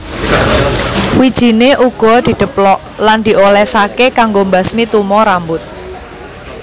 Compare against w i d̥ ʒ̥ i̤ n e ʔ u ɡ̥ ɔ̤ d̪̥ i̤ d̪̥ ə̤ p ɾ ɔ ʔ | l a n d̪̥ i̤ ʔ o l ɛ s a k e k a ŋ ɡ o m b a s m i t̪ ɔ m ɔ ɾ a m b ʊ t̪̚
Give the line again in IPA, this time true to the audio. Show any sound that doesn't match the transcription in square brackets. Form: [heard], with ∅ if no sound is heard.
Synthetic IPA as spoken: w i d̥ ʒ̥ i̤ n e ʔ u ɡ̥ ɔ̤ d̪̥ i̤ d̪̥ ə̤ p [l] ɔ ʔ | l a n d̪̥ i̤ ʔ o l ɛ s a k e k a ŋ ɡ o m b a s m i t̪ [u] m ɔ ɾ a m b ʊ t̪̚